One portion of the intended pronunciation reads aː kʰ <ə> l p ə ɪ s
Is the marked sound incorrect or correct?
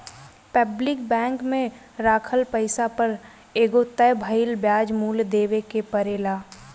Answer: correct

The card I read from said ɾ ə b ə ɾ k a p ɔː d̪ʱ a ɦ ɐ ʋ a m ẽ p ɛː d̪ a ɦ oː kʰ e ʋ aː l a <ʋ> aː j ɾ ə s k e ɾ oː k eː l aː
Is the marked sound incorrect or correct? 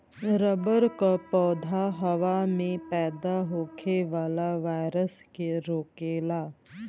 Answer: correct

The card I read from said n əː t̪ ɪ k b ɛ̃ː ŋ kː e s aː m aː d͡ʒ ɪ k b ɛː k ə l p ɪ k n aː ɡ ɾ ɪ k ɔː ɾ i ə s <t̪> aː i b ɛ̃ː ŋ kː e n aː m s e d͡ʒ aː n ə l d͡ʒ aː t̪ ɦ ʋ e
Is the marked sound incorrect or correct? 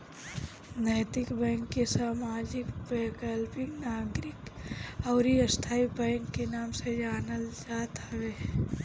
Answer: incorrect: t̪ʰ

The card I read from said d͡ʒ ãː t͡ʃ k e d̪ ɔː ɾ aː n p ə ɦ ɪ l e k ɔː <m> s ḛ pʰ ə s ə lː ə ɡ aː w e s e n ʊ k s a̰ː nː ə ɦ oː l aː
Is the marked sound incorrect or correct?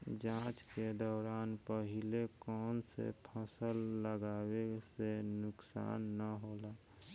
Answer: incorrect: n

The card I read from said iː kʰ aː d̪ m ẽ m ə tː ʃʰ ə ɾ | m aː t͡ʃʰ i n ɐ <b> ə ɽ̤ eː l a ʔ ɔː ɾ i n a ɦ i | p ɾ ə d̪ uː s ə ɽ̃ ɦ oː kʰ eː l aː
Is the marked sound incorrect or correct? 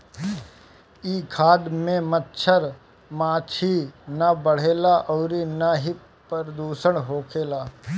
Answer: correct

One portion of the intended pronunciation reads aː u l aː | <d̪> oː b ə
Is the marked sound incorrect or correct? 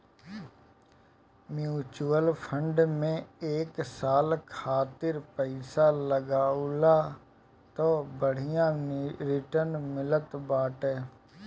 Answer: incorrect: t̪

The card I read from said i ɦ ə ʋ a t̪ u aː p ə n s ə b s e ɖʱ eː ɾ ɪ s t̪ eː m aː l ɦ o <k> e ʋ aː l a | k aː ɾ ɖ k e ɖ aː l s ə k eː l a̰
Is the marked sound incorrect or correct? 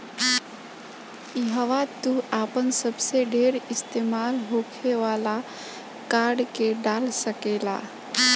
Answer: incorrect: kʰ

